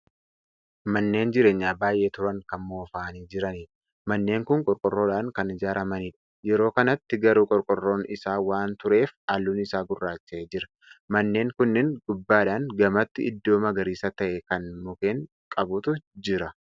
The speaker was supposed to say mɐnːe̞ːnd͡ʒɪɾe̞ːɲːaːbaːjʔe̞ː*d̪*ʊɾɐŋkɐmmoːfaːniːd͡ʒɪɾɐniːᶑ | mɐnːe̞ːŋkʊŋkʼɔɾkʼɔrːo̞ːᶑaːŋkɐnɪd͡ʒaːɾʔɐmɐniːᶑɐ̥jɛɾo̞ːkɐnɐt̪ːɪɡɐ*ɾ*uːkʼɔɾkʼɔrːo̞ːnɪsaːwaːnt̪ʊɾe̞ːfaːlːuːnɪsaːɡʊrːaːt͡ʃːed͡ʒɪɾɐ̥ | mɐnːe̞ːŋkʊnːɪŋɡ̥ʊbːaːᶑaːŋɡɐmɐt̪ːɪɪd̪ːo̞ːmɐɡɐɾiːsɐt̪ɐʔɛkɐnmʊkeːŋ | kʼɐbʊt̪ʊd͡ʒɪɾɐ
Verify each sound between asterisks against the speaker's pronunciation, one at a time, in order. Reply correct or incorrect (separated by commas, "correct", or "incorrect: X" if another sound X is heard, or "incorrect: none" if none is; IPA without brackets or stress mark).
incorrect: t̪, correct